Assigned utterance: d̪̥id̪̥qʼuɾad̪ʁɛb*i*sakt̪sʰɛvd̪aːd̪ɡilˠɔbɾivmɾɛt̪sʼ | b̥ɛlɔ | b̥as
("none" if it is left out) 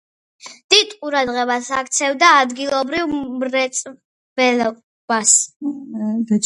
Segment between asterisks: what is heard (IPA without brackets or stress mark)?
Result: a